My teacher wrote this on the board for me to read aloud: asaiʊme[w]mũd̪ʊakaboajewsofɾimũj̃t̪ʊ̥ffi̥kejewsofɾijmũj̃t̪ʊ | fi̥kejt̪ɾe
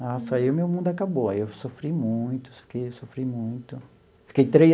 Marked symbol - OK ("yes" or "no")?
yes